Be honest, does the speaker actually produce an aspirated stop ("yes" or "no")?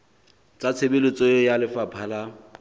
yes